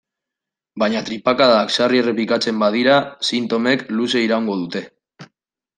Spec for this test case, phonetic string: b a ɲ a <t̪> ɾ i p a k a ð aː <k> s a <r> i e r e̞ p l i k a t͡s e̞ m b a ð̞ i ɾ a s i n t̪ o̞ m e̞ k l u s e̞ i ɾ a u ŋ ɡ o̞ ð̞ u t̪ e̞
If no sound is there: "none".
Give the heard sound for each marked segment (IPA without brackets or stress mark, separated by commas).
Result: t̪, k, r